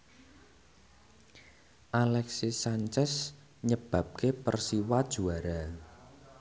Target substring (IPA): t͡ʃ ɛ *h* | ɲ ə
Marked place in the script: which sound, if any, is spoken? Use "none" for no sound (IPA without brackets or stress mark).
s